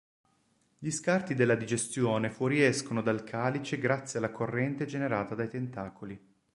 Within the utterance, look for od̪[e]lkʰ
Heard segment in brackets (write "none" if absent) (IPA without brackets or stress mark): a